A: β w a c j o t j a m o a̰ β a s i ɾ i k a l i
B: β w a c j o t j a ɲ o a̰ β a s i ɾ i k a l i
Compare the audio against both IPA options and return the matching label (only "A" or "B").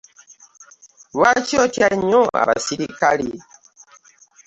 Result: B